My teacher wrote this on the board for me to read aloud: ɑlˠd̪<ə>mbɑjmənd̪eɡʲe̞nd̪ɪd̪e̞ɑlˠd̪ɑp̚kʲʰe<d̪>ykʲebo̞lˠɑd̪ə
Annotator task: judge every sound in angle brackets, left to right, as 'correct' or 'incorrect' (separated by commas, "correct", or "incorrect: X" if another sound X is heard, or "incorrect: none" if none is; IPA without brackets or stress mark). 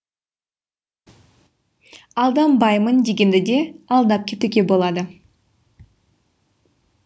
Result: incorrect: ɑ, incorrect: t̪